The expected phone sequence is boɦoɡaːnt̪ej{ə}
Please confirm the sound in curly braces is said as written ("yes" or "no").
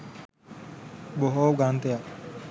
no